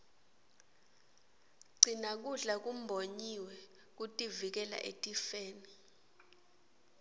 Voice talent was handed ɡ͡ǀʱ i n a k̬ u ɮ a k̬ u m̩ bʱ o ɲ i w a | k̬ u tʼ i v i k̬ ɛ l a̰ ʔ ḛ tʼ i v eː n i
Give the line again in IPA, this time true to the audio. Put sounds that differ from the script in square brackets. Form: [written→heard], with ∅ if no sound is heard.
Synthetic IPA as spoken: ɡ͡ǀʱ i n a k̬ u ɮ a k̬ u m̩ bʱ o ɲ i w [a→ɛ] | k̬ u tʼ i v i k̬ ɛ l a̰ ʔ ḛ tʼ i [v→f] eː n i